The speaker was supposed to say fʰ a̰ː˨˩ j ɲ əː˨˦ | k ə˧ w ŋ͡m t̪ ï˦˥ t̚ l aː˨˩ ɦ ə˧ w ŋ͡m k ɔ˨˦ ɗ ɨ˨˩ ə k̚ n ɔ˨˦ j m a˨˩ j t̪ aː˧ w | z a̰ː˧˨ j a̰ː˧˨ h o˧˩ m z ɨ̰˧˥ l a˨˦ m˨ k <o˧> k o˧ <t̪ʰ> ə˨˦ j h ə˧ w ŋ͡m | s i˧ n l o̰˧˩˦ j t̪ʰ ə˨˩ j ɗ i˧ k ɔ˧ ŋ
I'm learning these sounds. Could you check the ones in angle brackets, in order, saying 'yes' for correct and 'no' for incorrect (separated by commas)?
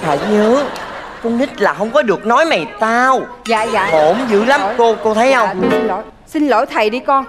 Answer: yes, yes